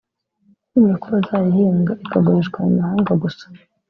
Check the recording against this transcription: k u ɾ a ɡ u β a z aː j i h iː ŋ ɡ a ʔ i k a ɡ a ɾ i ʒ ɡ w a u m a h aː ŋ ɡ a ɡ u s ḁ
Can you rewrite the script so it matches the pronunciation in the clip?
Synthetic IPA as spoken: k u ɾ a k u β a z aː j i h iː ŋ ɡ a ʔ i k a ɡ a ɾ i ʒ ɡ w a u m a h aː ŋ ɡ a ɡ u s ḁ